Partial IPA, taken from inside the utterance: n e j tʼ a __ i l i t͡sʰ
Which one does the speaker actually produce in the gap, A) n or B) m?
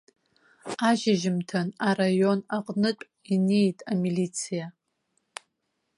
B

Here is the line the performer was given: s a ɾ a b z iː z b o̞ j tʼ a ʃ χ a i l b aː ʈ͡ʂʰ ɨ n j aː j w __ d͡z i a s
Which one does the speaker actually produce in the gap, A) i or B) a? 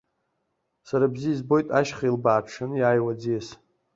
B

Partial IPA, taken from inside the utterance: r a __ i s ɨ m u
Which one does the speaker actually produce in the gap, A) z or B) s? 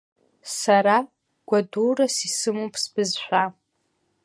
B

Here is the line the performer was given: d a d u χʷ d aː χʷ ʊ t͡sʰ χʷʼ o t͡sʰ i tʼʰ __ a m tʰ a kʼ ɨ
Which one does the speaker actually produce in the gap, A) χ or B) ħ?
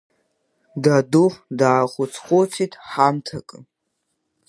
B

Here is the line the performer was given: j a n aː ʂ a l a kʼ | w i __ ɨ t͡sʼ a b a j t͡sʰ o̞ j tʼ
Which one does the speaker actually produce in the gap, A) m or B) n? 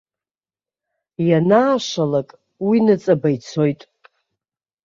B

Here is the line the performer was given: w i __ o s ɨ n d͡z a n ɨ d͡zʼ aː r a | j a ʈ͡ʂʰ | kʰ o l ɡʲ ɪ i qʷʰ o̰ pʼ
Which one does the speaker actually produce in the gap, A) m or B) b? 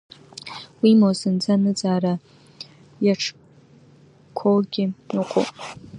A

